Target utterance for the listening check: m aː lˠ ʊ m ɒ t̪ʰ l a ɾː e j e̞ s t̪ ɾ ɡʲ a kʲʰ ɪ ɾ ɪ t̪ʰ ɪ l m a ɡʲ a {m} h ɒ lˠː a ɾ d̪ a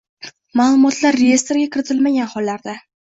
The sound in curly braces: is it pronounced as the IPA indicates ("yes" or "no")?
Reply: no